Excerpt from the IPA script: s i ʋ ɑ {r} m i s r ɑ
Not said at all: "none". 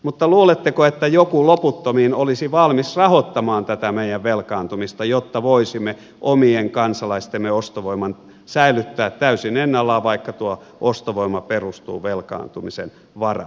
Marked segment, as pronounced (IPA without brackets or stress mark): l